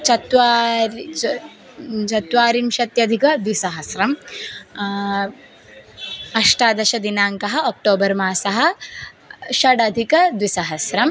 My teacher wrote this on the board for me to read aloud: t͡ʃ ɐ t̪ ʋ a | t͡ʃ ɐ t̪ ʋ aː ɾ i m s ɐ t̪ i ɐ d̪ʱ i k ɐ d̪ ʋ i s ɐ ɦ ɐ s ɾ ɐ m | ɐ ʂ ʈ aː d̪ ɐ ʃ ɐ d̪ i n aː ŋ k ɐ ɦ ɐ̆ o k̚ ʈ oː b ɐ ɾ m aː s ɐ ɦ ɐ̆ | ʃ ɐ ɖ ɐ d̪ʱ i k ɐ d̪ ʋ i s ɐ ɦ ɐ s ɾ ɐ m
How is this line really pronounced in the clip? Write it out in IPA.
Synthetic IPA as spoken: t͡ʃ ɐ t̪ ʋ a | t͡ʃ ɐ t̪ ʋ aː ɾ i m ʃ ɐ t̪ j ɐ d̪ʱ i k ɐ d̪ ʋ i s ɐ ɦ ɐ s ɾ ɐ m | ɐ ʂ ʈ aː d̪ ɐ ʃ ɐ d̪ i n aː ŋ k ɐ ɦ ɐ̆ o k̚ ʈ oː b ɐ ɾ m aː s ɐ ɦ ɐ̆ | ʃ ɐ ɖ ɐ d̪ʱ i k ɐ d̪ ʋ i s ɐ ɦ ɐ s ɾ ɐ m